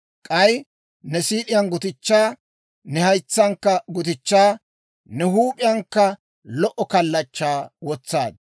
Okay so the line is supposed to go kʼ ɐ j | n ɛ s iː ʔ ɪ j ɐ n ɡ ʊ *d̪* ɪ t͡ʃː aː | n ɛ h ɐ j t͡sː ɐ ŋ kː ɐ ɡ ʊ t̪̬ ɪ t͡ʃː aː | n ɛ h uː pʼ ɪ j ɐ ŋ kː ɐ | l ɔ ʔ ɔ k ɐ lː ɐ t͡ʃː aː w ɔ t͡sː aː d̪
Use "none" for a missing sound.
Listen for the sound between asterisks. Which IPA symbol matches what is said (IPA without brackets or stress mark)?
t̪